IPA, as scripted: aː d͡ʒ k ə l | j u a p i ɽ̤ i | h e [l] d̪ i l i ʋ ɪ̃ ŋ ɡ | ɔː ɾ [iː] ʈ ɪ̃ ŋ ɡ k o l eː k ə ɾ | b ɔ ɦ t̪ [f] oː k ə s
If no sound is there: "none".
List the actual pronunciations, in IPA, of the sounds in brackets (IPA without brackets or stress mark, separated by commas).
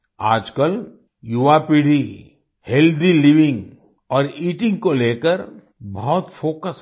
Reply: l, iː, f